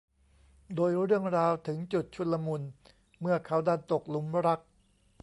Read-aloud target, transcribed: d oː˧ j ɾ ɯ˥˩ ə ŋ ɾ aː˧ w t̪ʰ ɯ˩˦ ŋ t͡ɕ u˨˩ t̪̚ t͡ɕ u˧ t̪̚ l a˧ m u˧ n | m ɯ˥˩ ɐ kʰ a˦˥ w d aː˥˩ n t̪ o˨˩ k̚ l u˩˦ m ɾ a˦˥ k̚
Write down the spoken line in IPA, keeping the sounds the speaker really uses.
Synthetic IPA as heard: d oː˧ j ɾ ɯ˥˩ ə ŋ ɾ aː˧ w t̪ʰ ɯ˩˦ ŋ t͡ɕ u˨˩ t̪̚ t͡ɕʰ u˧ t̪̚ l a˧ m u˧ n | m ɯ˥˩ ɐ kʰ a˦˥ w d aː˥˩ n t̪ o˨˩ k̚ l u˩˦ m ɾ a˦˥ k̚

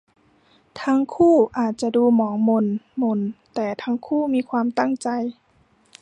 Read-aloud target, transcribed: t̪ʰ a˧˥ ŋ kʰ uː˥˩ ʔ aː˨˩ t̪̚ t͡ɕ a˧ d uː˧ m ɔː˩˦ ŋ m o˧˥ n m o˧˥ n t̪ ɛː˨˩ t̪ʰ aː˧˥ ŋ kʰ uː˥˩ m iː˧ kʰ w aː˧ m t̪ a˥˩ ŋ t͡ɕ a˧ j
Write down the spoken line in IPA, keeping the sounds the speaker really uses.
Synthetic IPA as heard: t̪ʰ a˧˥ ŋ kʰ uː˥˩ ʔ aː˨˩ t̪̚ t͡ɕ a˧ d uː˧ m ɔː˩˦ ŋ m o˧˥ n m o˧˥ n t̪ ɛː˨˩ t̪ʰ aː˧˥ ŋ kʰ uː˥˩ m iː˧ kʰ w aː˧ m t̪ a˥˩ ŋ t͡ɕ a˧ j

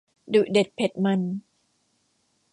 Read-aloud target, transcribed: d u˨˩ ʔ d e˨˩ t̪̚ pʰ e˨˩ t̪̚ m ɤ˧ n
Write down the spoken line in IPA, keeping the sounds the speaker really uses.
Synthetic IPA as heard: d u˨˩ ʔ d e˨˩ t̪̚ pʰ e˨˩ t̪̚ m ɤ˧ n

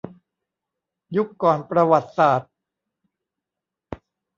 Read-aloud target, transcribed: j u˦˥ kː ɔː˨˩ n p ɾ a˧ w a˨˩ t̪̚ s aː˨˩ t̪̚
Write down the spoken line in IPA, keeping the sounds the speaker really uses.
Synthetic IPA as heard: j u˦˥ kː ɔː˨˩ n p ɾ a˧ w a˨˩ t̪̚ s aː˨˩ t̪̚

